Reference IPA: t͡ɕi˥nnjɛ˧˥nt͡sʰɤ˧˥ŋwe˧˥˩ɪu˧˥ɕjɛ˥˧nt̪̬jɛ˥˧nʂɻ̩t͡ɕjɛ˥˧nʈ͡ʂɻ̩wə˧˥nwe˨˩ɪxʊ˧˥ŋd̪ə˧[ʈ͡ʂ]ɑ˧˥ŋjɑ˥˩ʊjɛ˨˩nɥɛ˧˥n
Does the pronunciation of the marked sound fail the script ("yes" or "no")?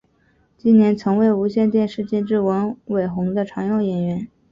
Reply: yes